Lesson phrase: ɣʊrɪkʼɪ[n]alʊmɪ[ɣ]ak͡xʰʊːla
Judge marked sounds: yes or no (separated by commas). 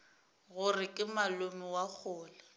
no, no